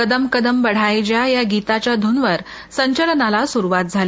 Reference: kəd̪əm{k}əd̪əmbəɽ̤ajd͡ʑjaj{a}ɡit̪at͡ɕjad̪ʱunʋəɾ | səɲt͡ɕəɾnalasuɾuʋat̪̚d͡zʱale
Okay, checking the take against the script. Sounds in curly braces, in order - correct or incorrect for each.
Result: correct, correct

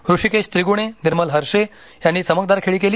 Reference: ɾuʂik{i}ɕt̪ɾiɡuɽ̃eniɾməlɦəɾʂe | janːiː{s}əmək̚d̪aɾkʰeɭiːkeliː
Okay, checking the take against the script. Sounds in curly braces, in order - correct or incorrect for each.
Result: incorrect: e, correct

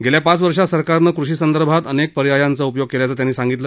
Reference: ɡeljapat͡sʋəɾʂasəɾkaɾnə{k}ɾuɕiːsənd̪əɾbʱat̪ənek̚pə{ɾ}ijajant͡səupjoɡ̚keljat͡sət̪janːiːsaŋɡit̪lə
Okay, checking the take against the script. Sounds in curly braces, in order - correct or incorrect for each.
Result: correct, correct

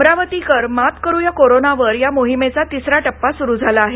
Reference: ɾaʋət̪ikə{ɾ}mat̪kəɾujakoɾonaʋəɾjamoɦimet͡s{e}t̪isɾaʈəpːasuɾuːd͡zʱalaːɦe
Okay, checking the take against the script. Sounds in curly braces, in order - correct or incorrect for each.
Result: correct, incorrect: a

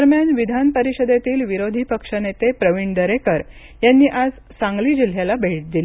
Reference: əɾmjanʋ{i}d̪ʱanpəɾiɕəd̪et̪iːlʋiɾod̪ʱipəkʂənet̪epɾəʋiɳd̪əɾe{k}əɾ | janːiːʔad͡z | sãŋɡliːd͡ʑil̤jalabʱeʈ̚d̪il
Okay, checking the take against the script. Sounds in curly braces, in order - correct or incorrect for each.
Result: correct, correct

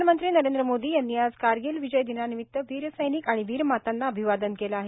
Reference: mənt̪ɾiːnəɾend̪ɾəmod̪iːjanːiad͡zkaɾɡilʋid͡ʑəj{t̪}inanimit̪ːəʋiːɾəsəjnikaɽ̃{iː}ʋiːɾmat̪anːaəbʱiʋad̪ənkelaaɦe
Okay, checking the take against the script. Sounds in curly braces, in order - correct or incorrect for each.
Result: incorrect: d̪, incorrect: i

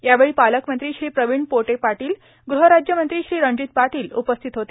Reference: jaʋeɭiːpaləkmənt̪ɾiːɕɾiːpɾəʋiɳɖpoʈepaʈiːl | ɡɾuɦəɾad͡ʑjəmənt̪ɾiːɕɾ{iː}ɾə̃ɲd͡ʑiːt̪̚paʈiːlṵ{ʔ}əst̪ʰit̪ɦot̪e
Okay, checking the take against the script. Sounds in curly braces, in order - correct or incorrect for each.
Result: correct, incorrect: p

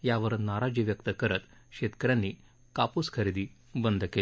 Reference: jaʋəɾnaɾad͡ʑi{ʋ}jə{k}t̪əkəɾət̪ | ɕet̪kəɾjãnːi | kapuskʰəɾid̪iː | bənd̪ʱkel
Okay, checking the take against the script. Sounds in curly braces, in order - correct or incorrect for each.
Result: correct, correct

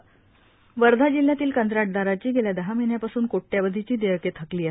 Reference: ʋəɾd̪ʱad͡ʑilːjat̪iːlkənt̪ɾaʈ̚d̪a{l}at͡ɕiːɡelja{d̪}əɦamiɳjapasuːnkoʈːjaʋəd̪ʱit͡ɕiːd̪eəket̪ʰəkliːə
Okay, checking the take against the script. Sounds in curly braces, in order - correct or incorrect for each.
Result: incorrect: ɾ, correct

